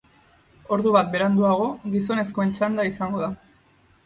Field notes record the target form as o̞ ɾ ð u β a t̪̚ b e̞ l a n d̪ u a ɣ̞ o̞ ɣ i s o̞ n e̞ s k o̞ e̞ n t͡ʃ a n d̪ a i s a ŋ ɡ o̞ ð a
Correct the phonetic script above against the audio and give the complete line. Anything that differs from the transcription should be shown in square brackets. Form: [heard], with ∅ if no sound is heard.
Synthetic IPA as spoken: o̞ ɾ ð u β a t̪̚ b e̞ [ɾ] a n d̪ u a ɣ̞ o̞ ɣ i s o̞ n e̞ s k o̞ e̞ n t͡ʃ a n d̪ a i s a ŋ ɡ o̞ ð a